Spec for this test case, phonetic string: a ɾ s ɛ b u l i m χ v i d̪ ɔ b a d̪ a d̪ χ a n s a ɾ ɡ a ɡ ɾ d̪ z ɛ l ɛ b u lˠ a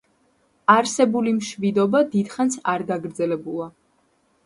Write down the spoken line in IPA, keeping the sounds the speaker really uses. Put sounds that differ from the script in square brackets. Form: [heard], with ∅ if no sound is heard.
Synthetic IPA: a ɾ s ɛ b u l i m [ʃ] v i d̪ ɔ b a d̪ [i] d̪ χ a n s a ɾ ɡ a ɡ ɾ d̪ z ɛ l ɛ b u lˠ a